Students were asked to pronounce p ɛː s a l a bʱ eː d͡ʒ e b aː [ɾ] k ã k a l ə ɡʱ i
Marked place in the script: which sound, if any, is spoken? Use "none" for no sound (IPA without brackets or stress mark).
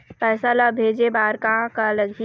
ɾ